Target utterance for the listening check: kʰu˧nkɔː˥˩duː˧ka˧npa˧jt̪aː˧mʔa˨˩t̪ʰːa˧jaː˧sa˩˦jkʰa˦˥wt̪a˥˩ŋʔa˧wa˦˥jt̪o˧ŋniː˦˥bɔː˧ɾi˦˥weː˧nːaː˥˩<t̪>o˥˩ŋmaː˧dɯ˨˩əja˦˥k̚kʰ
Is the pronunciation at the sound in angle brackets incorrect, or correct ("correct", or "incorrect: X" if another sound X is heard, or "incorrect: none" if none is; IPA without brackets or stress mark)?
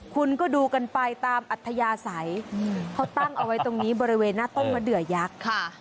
correct